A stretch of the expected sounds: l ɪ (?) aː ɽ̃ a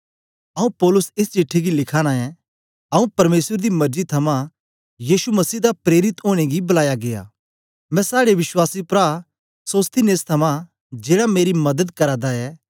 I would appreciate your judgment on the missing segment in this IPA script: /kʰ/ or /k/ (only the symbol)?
kʰ